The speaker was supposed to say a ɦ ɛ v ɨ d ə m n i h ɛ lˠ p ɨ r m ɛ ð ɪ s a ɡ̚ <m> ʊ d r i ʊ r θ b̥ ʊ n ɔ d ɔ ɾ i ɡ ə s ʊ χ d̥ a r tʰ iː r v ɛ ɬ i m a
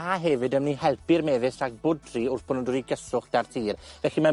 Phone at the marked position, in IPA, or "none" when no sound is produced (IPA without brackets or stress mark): b